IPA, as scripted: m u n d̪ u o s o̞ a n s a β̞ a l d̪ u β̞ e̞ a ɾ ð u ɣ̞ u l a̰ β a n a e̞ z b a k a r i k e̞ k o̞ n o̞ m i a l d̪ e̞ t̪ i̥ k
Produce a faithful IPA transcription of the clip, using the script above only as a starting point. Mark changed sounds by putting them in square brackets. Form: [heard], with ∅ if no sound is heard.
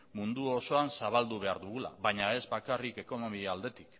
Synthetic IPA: m u n d̪ u o s o̞ a n s a β̞ a l d̪ u β̞ e̞ a ɾ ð u ɣ̞ u l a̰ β a [ɲ] a e̞ z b a k a r i k e̞ k o̞ n o̞ m i a l d̪ e̞ t̪ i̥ k